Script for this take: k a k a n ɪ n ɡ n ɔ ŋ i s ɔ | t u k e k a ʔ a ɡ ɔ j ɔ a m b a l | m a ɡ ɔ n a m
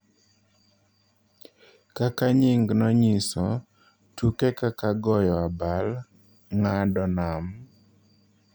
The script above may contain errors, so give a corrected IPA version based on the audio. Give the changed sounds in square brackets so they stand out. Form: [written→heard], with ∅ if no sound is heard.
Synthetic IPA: k a k a [n→ɲ] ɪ [n→ŋ] ɡ n ɔ [ŋ→ɲ] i s ɔ | t u k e k a [ʔ→k] a ɡ ɔ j ɔ a [m→∅] b a l | [m→ŋ] a [ɡ→d] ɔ n a m